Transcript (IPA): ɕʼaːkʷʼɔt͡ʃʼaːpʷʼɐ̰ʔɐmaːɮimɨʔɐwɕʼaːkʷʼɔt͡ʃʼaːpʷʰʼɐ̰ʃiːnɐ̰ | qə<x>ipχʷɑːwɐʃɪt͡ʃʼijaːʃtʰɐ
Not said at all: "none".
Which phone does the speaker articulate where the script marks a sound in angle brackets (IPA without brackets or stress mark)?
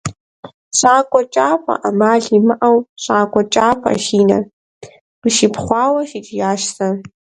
ʃ